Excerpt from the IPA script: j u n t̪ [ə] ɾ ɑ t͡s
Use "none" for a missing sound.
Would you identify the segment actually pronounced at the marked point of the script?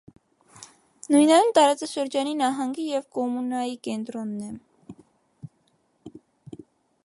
ɑ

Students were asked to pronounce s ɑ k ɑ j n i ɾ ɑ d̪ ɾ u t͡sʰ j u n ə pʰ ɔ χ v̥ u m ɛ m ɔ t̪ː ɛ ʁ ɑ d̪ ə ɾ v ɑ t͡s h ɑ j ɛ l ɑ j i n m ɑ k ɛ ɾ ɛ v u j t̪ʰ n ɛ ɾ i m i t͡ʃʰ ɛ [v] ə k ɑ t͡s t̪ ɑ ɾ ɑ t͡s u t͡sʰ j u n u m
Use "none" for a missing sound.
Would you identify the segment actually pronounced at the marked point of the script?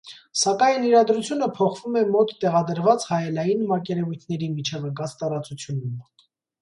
v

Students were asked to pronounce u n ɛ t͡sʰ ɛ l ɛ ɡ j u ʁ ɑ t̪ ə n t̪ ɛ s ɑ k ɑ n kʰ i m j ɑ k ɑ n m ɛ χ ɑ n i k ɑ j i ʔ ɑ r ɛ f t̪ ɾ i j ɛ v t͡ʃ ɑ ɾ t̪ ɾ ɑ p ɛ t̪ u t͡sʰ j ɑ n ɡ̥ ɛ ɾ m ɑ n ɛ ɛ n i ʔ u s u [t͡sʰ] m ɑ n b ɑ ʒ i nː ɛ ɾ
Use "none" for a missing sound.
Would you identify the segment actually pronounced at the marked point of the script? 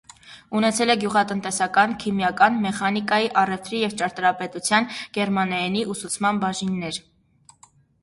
t͡sʰ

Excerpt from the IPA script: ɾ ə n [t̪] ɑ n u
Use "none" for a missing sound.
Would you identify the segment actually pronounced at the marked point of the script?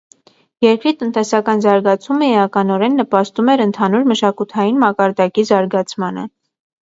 t̪ʰ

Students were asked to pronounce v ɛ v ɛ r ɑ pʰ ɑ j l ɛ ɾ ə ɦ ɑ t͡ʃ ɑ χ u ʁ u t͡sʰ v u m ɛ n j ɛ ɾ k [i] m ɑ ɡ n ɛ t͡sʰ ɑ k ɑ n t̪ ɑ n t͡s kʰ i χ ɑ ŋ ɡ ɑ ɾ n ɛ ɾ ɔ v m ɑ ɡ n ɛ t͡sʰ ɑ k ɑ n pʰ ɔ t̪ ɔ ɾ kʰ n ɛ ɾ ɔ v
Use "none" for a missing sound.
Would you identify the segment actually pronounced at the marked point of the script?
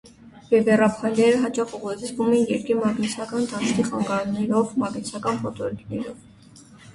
i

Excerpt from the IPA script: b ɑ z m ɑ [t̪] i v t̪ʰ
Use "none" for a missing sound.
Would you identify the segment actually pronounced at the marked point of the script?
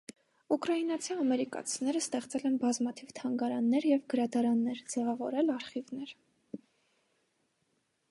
t̪ʰ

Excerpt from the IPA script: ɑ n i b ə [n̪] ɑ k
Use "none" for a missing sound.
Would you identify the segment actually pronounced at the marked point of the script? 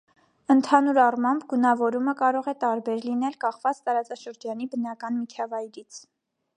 n̪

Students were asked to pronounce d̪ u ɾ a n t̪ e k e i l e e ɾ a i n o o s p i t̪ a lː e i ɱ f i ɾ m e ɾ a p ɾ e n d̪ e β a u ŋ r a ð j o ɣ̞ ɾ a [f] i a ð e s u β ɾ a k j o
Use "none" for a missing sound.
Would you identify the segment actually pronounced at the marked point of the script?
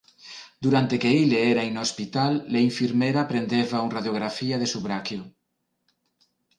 f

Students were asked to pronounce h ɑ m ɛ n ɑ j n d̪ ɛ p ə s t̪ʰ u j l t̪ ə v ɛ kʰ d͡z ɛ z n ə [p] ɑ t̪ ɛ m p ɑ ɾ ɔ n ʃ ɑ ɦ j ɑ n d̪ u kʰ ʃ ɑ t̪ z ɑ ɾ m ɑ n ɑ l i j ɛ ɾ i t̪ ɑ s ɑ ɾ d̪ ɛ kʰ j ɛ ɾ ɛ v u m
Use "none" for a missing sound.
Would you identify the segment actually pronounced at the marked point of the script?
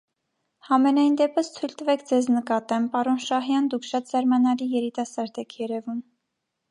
k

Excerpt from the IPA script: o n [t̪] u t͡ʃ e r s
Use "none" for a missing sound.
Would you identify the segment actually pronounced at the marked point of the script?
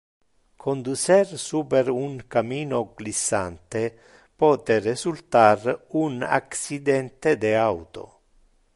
d̪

